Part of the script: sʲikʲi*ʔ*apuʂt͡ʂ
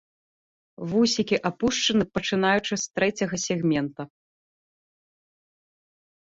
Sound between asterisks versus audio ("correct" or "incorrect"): correct